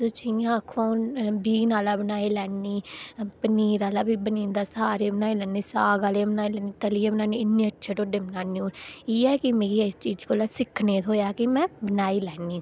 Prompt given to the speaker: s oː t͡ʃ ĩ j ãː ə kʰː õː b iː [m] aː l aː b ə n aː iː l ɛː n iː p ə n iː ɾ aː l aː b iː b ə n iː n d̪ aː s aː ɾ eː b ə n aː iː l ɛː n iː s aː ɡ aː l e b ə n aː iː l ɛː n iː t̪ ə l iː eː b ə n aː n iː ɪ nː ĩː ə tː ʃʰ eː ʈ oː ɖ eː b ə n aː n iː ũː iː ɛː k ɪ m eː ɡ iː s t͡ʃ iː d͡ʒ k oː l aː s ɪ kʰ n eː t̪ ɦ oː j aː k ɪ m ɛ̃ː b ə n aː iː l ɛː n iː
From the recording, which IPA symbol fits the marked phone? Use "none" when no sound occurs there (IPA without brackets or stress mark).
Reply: n